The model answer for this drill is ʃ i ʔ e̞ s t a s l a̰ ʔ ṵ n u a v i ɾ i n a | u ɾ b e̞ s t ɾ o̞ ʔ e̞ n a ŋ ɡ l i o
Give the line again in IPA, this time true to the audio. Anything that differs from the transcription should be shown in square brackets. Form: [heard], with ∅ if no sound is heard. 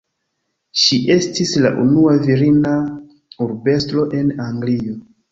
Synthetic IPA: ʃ i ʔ e̞ s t [i] s l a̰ ʔ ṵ n u a v i ɾ i n a | u ɾ b e̞ s t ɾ o̞ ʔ e̞ n a ŋ ɡ l i o